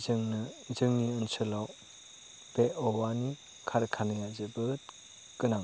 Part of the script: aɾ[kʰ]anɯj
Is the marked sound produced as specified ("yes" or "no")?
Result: yes